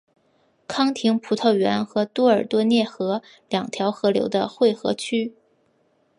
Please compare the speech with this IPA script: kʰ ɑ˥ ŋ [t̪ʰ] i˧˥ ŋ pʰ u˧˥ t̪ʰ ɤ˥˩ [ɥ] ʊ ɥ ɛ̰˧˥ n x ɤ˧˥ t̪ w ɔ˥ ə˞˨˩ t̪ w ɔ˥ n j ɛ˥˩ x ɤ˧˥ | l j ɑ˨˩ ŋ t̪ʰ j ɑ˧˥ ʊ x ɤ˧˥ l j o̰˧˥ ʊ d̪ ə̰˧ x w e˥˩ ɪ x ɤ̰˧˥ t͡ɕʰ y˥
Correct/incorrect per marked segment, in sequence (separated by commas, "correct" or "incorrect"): correct, incorrect